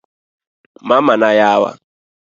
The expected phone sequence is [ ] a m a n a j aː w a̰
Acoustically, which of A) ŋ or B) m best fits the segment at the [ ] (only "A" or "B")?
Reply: B